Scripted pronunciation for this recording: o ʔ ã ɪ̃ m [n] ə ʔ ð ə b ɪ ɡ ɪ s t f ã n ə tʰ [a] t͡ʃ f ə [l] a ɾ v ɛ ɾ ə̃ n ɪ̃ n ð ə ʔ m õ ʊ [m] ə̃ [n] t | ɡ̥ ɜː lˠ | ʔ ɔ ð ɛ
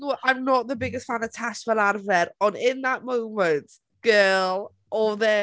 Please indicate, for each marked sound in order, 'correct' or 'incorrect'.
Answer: correct, correct, correct, correct, correct

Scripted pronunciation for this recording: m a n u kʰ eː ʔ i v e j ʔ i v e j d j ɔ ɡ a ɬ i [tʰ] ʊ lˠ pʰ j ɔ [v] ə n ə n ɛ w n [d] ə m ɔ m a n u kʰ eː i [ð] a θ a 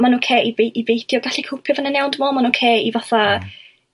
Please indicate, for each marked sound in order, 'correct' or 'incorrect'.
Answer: incorrect: kʰ, correct, correct, incorrect: v

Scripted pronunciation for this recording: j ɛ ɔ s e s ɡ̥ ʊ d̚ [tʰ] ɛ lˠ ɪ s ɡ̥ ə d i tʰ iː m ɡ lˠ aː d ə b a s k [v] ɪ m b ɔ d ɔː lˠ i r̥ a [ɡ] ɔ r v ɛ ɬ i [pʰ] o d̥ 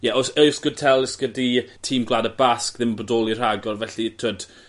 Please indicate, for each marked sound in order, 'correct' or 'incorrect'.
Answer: correct, incorrect: ð, correct, incorrect: tʰ

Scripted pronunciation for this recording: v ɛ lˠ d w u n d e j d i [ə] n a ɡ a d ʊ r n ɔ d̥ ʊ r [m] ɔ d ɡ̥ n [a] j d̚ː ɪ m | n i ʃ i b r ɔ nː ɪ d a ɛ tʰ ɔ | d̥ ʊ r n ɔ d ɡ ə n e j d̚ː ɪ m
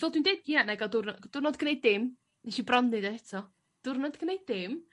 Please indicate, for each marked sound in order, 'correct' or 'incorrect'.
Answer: incorrect: a, incorrect: n, incorrect: e

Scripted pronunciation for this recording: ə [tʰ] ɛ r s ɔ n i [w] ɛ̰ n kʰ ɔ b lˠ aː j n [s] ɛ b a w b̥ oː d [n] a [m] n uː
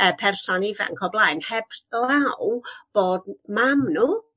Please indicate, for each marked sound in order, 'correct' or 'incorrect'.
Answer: incorrect: pʰ, incorrect: v, incorrect: h, incorrect: m, correct

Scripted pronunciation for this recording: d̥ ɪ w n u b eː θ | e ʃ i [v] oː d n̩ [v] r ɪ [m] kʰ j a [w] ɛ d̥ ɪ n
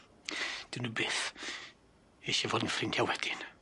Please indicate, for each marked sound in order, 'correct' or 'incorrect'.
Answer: correct, incorrect: f, incorrect: ŋ, correct

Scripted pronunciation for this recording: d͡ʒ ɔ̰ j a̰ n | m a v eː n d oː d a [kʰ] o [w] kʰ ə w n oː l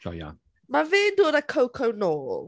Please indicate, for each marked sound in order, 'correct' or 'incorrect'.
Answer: correct, correct

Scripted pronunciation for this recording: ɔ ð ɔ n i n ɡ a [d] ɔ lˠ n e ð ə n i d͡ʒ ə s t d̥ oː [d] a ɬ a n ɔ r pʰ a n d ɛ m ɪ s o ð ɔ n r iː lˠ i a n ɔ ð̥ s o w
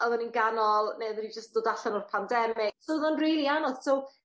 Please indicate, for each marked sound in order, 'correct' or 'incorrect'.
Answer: incorrect: n, correct

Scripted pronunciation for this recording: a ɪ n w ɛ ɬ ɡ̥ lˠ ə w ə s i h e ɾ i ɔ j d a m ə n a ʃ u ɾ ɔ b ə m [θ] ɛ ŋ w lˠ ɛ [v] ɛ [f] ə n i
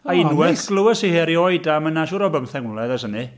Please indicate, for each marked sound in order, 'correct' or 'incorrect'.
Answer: correct, incorrect: ð, incorrect: s

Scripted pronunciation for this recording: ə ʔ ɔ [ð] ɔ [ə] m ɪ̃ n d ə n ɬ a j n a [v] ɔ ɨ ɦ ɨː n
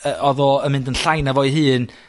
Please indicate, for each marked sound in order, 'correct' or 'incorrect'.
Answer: correct, correct, correct

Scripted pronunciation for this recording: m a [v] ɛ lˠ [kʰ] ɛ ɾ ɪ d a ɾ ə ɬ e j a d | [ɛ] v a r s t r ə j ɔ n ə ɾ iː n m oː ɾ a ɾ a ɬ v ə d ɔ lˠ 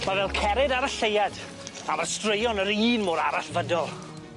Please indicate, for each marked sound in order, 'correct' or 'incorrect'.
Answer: correct, correct, incorrect: a

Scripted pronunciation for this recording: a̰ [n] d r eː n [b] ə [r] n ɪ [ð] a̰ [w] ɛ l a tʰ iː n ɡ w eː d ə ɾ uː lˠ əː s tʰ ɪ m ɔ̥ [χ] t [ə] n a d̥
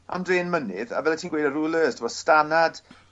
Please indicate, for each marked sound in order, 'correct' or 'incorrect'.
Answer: incorrect: m, incorrect: m, incorrect: none, correct, incorrect: v, incorrect: s, incorrect: a

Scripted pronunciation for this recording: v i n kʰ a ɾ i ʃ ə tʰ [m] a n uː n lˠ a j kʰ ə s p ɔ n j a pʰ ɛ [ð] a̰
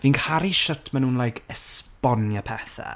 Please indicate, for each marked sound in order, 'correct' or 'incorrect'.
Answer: correct, incorrect: θ

